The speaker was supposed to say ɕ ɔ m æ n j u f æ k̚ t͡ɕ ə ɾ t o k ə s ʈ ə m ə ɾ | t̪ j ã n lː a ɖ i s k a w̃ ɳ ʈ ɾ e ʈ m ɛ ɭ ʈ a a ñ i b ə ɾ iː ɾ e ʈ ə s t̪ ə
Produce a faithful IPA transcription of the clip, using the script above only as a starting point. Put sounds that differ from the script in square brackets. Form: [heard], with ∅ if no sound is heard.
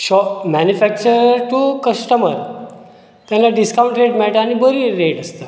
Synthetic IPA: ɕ ɔ m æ n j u f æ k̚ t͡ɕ ə ɾ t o k ə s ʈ ə m ə ɾ | t̪ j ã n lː a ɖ i s k a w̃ ɳ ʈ ɾ e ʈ m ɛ ɭ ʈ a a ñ i b ə ɾ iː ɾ e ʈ ə s t̪ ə